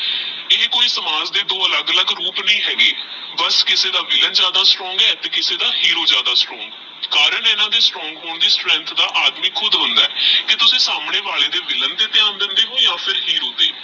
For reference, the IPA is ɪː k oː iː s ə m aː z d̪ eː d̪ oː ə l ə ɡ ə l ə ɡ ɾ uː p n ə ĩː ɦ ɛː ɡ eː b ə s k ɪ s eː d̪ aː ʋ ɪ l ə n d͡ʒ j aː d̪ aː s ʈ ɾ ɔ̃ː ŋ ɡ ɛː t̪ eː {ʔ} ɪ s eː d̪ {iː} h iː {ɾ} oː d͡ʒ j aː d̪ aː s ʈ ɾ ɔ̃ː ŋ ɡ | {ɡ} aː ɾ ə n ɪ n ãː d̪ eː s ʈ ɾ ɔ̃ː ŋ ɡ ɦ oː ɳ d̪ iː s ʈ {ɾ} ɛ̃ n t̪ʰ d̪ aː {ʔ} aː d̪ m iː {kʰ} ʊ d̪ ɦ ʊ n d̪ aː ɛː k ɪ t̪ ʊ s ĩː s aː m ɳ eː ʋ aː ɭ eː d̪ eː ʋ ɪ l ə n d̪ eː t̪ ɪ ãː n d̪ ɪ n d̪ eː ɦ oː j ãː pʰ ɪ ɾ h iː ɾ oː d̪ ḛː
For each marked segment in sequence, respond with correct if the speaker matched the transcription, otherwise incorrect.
incorrect: k, incorrect: aː, correct, incorrect: k, correct, correct, correct

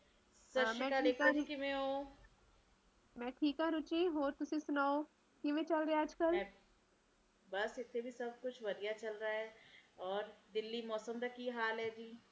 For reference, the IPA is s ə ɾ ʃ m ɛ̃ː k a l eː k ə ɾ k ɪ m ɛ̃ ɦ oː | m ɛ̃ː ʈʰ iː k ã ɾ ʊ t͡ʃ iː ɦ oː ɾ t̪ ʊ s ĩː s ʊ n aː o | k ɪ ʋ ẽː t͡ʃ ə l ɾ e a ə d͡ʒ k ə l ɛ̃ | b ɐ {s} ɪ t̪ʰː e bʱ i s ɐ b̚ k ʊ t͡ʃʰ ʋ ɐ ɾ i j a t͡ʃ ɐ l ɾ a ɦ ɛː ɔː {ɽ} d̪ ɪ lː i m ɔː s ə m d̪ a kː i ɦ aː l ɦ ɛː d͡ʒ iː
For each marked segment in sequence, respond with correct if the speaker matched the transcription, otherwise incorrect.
correct, incorrect: ɾ

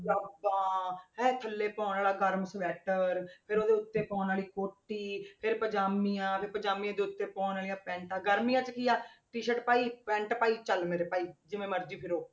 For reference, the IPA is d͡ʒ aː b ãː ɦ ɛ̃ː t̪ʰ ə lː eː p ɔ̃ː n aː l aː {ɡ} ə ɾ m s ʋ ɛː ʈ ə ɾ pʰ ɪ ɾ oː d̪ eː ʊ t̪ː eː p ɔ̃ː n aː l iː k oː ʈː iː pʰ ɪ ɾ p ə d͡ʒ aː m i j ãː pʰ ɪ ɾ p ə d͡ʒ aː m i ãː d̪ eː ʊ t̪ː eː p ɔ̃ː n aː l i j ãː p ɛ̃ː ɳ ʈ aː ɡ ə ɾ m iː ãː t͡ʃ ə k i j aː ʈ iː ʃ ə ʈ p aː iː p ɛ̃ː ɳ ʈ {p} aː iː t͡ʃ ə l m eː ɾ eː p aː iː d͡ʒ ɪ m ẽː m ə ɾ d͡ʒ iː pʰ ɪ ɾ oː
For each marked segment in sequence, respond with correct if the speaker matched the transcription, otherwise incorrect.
correct, correct

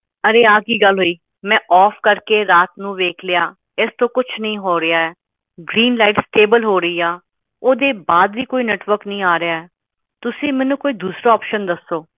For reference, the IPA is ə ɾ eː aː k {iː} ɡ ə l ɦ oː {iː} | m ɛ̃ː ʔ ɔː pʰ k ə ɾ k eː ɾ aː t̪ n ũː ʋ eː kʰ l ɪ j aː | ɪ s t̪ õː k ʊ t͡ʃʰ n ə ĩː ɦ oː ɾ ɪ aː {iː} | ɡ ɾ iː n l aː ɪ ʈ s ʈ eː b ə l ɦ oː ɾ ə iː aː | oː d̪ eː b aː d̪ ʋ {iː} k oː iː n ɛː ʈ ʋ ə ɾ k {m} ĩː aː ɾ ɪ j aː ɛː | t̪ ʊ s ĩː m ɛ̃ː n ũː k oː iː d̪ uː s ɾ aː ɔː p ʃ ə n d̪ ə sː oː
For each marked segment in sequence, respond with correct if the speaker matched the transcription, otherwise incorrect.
correct, correct, incorrect: ɛː, correct, incorrect: n

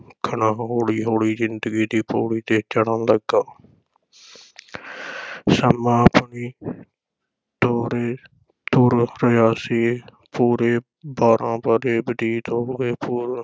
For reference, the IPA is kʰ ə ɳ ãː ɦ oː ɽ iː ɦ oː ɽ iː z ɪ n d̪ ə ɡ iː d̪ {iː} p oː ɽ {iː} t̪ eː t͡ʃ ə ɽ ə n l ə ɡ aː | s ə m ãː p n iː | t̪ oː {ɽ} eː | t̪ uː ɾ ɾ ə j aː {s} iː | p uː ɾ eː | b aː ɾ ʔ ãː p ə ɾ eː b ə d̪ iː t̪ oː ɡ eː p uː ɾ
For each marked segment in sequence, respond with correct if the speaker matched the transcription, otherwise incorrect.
correct, correct, incorrect: ɾ, correct

